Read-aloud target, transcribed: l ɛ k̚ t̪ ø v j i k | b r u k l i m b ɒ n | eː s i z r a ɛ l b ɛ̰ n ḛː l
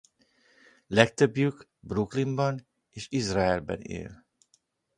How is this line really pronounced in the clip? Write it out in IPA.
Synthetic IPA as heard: l ɛ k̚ t̪ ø b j y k | b r u k l i m b ɒ n | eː ʃ i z r a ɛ l b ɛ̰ n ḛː l